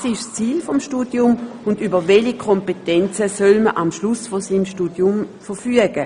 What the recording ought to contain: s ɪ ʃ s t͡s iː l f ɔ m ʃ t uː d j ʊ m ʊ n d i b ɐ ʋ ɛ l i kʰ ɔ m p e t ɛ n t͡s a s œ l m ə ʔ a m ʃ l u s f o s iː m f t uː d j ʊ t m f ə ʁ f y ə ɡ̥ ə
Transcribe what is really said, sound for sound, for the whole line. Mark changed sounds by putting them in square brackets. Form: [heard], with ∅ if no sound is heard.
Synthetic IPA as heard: s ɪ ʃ s t͡s iː l f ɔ m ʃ t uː d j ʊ m ʊ n d [y] b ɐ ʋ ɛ l i kʰ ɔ m p e t ɛ n t͡s [ə] s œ l m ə ʔ a m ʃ l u s f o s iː m [ʃ] t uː d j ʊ [∅] m f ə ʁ f y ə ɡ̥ ə